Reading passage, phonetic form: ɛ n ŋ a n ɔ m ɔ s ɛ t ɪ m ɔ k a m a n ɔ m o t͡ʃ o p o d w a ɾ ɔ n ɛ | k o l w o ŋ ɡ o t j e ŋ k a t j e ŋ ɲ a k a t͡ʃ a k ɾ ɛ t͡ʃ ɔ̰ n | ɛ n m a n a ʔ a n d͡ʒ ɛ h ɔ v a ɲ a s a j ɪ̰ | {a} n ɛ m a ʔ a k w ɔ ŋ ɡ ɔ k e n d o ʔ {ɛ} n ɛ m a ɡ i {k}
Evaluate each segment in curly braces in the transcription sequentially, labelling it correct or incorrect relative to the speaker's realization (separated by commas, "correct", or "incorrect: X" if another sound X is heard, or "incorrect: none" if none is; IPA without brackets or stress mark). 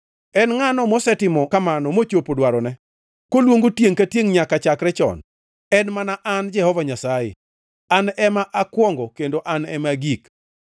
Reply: correct, incorrect: a, correct